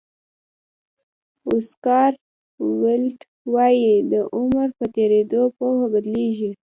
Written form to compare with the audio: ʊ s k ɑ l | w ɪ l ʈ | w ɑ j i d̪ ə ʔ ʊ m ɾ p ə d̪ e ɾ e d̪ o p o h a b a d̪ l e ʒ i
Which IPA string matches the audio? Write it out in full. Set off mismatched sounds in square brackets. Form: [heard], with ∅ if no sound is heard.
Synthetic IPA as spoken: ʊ s k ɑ [ɾ] | w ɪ l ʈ | w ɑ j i d̪ ə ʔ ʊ m ɾ p ə [t̪] e ɾ e d̪ o p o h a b a d̪ l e ʒ i